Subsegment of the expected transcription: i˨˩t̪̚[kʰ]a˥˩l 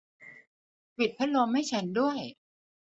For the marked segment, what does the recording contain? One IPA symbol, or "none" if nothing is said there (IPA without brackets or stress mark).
pʰ